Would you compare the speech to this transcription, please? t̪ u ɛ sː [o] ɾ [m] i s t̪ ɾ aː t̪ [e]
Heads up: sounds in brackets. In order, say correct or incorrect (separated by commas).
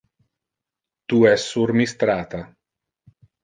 incorrect, correct, incorrect